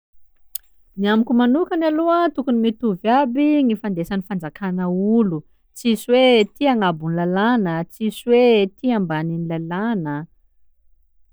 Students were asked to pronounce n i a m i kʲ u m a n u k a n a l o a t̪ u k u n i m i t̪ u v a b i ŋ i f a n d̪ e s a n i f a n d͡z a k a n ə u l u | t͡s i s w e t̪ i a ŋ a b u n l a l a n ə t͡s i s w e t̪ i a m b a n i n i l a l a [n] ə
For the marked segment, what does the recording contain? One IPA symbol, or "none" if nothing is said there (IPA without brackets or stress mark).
n